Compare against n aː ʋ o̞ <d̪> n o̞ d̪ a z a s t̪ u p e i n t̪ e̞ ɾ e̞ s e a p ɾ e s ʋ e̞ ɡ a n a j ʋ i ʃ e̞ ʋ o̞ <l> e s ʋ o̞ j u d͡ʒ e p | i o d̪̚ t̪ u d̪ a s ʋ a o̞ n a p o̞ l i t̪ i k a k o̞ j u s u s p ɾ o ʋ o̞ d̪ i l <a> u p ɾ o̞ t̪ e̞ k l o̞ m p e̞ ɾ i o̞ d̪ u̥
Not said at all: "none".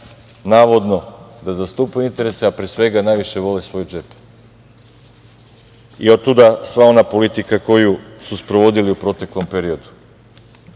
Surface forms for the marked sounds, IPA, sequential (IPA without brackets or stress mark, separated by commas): d̪, l, i